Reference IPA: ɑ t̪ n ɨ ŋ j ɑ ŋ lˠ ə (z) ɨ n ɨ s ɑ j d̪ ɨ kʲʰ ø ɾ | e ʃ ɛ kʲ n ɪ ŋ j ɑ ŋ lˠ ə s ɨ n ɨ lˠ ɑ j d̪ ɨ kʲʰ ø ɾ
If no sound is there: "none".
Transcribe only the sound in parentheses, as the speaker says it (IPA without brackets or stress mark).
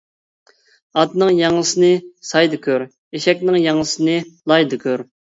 s